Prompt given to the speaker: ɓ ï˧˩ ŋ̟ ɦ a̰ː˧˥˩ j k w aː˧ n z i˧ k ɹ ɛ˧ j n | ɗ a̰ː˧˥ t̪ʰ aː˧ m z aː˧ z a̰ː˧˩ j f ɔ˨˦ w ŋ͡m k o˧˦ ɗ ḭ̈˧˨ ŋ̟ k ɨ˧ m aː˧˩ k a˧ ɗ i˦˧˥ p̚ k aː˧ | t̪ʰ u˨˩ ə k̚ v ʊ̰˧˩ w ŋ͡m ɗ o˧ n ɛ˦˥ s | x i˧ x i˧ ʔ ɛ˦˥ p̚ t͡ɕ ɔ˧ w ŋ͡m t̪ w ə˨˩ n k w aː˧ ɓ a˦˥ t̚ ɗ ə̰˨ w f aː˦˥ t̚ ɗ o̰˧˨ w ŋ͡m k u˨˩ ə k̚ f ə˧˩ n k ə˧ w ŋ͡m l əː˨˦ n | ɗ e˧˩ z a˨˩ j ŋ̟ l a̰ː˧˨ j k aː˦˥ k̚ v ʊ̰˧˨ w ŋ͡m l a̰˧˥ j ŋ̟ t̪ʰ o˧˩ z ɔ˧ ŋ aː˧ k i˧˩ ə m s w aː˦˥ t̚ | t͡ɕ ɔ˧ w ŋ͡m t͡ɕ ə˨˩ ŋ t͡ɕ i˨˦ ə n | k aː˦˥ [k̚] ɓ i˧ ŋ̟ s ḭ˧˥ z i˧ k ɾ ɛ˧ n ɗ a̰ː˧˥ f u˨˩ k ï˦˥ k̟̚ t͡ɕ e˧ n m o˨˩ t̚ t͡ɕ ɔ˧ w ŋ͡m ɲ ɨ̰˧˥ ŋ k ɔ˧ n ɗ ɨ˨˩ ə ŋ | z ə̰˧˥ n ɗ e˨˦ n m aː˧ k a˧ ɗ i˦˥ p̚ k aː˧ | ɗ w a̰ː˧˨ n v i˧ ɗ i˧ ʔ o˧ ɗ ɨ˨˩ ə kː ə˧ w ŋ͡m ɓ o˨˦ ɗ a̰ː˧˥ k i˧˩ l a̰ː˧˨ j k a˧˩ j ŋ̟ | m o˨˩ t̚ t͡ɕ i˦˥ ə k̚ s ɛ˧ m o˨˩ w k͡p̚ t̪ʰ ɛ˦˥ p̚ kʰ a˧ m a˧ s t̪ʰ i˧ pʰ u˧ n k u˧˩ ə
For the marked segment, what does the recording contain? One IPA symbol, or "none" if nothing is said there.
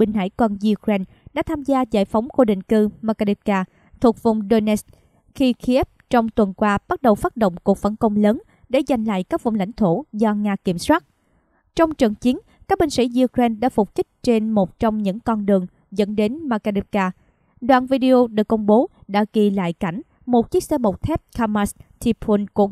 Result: k̚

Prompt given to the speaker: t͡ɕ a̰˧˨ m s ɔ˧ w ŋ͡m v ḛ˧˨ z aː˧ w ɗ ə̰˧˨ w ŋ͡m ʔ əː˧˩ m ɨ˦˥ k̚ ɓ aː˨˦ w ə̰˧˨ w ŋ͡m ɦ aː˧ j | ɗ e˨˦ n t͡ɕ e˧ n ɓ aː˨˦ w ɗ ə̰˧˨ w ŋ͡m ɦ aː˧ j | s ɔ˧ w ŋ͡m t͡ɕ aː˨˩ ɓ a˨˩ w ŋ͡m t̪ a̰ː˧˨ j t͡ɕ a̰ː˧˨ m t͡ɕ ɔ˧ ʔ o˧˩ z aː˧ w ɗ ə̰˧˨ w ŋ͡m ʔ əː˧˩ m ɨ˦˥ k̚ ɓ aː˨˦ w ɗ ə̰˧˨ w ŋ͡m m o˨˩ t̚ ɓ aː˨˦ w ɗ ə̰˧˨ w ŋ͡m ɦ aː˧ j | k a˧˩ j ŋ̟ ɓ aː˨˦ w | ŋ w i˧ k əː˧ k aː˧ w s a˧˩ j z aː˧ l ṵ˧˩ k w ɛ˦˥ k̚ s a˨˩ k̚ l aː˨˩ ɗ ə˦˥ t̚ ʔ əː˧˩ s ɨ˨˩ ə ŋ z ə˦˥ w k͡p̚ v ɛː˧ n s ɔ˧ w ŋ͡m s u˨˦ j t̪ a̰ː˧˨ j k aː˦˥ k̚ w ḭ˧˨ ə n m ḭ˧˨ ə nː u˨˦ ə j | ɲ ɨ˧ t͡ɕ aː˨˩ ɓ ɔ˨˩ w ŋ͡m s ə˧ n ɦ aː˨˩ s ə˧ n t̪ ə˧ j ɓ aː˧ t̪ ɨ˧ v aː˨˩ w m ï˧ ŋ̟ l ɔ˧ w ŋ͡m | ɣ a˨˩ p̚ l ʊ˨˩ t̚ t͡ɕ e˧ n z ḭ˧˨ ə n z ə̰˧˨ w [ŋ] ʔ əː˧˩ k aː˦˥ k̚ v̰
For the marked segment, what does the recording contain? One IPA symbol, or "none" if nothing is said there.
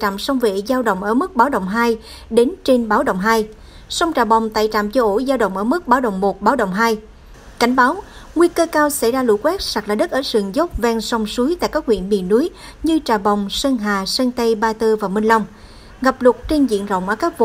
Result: ŋ͡m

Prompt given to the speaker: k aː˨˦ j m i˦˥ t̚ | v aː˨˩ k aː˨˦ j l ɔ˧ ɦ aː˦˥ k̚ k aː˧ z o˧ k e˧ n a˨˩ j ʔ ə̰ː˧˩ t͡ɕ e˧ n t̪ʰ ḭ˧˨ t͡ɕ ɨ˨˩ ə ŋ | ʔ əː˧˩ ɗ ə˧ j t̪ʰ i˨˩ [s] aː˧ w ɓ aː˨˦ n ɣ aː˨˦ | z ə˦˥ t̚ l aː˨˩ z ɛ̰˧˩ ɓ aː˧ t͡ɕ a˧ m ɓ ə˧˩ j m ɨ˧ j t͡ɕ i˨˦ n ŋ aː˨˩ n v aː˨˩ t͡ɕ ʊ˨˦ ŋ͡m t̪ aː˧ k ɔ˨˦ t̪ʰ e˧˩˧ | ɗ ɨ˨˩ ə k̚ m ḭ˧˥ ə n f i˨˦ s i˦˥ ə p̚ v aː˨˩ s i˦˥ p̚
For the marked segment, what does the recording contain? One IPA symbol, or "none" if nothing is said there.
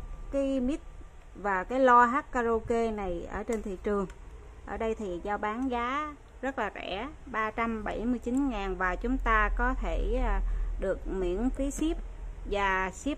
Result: z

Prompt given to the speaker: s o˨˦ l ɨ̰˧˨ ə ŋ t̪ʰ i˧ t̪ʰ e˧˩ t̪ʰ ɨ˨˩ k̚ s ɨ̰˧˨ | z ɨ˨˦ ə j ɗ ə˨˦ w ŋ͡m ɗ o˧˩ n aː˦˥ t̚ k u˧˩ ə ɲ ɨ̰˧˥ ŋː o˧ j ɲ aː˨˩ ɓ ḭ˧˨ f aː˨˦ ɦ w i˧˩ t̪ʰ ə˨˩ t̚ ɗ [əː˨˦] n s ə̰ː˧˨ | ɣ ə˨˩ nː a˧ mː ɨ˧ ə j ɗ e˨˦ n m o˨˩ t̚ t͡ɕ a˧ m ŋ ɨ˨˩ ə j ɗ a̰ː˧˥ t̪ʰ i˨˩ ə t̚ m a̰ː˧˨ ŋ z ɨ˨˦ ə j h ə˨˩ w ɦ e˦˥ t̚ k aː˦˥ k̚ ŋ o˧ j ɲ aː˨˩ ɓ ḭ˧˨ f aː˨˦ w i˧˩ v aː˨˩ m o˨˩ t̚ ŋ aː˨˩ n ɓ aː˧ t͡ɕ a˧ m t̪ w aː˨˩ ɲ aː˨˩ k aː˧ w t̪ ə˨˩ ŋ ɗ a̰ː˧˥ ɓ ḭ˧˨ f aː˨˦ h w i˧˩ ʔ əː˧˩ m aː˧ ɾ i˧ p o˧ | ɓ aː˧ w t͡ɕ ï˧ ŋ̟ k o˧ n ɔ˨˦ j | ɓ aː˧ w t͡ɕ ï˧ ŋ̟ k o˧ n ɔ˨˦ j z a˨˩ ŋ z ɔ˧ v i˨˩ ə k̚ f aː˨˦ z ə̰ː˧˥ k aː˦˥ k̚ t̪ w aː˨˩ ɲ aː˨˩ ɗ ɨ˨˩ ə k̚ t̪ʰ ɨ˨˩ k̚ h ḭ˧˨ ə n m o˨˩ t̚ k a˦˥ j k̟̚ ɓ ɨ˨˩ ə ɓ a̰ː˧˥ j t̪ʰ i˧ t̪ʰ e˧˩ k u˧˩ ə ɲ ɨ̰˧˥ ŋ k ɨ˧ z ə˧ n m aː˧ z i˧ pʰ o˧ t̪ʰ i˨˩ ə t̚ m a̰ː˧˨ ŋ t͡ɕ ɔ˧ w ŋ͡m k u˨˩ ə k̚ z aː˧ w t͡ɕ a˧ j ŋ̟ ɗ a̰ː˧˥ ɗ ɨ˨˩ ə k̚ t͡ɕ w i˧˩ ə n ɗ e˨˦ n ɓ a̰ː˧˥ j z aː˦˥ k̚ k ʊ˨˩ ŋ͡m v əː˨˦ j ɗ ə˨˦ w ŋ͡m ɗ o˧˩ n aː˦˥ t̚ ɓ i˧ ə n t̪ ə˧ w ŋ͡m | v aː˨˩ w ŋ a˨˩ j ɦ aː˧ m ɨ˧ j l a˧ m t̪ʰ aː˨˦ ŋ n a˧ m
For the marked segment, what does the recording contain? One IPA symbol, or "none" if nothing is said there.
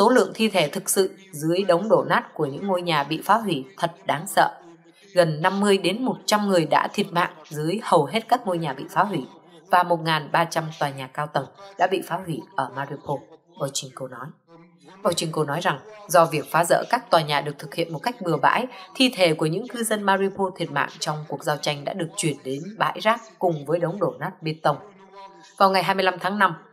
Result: aː˨˦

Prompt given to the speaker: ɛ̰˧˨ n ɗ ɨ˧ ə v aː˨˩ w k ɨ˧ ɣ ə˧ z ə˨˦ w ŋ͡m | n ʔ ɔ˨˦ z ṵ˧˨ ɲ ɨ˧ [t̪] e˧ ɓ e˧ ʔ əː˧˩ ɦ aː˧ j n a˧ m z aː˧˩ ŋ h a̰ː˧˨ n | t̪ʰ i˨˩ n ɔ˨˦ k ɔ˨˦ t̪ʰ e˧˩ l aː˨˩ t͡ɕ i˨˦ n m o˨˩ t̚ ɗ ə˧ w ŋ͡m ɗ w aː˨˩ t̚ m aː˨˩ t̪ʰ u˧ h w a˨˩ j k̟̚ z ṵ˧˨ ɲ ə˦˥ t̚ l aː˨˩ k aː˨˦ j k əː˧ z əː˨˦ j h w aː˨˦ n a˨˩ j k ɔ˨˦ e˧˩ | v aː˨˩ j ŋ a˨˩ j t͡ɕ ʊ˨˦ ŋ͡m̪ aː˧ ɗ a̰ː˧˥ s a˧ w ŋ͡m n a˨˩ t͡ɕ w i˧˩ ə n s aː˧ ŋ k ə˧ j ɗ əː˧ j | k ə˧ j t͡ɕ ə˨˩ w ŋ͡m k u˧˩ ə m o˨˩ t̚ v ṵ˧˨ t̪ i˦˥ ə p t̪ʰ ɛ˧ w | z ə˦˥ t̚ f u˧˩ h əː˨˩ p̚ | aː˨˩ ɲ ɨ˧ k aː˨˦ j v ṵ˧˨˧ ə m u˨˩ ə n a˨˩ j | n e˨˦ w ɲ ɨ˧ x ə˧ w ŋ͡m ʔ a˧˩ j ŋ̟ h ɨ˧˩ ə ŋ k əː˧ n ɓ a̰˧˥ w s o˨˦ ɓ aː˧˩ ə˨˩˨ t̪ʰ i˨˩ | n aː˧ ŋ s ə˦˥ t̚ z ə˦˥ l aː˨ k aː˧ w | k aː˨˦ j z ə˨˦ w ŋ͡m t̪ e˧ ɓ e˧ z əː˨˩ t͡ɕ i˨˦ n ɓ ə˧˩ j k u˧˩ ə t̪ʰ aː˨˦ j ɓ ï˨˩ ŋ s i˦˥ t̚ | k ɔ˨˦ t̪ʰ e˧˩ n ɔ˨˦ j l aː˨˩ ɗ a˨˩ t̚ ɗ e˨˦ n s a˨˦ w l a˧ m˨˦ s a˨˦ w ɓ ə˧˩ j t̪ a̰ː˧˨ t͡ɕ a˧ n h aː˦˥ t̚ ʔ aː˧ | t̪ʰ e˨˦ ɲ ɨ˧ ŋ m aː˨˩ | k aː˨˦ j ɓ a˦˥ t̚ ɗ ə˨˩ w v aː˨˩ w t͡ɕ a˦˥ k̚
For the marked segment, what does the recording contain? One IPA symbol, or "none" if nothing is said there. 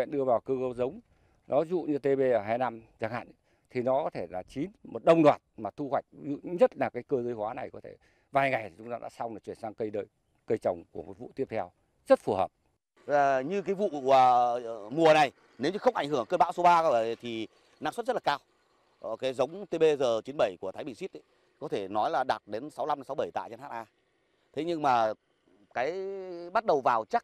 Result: t̪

